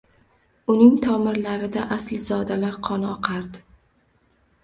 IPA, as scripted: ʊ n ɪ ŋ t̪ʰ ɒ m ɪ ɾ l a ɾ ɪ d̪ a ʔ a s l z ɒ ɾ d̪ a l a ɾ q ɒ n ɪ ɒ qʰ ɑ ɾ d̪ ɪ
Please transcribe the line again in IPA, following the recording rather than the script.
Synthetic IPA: ʊ n ɪ ŋ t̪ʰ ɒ m ɪ ɾ l a ɾ ɪ d̪ a ʔ a s l z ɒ d̪ a l a ɾ qʰ ɒ n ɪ ɒ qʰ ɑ ɾ d̪ ɪ

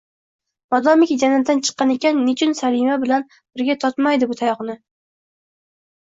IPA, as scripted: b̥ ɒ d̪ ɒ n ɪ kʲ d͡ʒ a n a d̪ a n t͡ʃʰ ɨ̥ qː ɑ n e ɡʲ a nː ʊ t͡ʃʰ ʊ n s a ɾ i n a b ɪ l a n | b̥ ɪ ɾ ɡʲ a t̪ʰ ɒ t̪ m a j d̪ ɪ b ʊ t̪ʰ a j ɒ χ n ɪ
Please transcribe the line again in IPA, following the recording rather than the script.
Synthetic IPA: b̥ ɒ d̪ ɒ m ɪ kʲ d͡ʒ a n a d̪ a n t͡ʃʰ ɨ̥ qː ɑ n e kʲ a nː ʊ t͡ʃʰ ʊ n s a ɾ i m a b ɪ l a n | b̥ ɪ ɾ ɡʲ a t̪ʰ ɒ t̪ m a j d̪ ɪ b ʊ t̪ʰ a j ɒ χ n ɪ

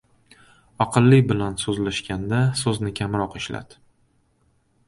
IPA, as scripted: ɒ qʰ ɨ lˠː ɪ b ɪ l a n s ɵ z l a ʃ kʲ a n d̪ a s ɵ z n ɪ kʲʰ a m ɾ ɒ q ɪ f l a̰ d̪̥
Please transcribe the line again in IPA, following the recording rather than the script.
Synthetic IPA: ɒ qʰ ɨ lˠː ɪ b ɪ l a n s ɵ z l a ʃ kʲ a n d̪ a s ɵ z n ɪ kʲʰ a m ɾ ɒ q ɪ ʃ l a̰ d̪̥

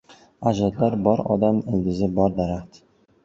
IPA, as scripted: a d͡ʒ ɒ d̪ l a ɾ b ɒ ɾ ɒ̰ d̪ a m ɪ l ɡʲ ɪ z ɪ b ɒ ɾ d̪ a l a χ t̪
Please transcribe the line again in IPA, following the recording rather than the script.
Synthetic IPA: a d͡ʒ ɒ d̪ l a ɾ b ɒ ɾ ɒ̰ d̪ a m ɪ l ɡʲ ɪ z ɪ b ɒ ɾ d̪ a ɾ a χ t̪

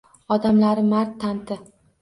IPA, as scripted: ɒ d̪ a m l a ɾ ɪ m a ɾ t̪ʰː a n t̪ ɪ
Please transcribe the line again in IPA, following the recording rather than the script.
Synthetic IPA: ɒ d̪ a m l a ɾ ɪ m a ɾ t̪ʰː a n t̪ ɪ

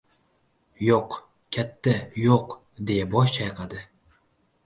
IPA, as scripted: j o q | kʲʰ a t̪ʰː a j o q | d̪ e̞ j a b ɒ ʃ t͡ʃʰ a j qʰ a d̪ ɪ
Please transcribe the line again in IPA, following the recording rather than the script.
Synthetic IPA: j o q | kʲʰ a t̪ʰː a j o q | d̪ e̞ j a b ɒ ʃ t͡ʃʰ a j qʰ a d̪ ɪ

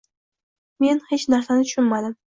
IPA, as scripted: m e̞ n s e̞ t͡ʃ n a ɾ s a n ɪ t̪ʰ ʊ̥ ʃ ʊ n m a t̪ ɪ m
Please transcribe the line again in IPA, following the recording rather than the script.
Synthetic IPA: m e̞ n h e̞ t͡ʃ n a ɾ s a n ɪ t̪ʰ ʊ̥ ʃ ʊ n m a d̪ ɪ m

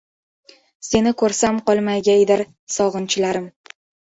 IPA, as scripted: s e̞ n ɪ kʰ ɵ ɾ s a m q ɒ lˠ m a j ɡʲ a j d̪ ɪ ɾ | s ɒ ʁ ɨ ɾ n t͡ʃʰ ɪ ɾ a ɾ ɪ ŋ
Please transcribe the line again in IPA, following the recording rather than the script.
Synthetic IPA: s e̞ n ɪ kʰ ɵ ɾ s a m q ɒ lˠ m a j ɡʲ a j d̪ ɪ ɾ | s ɒ ʁ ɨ n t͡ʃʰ ɪ l a ɾ ɪ m

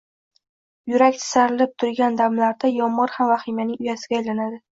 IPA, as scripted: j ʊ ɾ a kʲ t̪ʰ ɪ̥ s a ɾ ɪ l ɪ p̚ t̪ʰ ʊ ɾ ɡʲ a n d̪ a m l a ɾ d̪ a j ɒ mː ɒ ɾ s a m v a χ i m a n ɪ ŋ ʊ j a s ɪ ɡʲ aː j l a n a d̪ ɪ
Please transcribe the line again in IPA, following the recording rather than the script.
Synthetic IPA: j ʊ ɾ a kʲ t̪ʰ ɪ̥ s a ɾ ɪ l ɪ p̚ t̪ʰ ʊ ɾ ɡʲ a n d̪ a m l a ɾ d̪ a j ɒ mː ɒ ɾ h a m v a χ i m a n ɪ ŋ ʊ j a s ɪ ɡʲ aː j l a n a d̪ ɪ

